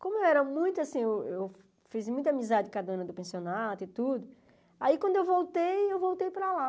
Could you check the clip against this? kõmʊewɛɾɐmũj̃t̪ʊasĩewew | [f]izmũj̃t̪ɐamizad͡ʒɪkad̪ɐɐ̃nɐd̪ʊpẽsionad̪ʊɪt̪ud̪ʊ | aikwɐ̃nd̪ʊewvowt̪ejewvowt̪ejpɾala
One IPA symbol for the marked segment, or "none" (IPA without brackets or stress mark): f